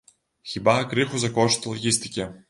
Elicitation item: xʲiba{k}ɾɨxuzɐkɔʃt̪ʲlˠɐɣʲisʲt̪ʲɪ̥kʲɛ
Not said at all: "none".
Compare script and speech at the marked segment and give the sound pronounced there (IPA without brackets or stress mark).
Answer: k